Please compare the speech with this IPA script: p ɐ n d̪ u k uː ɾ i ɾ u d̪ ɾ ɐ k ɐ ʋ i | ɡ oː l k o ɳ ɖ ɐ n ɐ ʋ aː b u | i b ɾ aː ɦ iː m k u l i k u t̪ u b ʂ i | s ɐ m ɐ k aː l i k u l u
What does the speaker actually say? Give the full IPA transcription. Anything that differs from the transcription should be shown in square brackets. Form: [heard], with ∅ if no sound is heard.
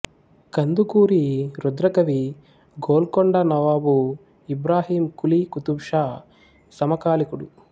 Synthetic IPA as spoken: [k] ɐ n d̪ u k uː ɾ i ɾ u d̪ ɾ ɐ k ɐ ʋ i | ɡ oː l k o ɳ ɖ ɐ n ɐ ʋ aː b u | i b ɾ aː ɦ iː m k u l i k u t̪ u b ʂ [a] | s ɐ m ɐ k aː l i k u [ɽ] u